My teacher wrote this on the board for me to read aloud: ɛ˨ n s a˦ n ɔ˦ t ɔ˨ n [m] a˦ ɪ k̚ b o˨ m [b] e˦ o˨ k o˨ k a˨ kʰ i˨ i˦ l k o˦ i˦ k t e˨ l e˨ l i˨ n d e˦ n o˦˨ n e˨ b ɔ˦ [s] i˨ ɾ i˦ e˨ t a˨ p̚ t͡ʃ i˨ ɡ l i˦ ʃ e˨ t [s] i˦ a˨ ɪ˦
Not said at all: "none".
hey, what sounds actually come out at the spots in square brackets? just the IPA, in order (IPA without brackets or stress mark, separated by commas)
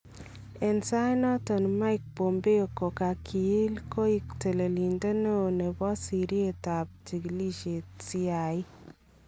m, b, s, s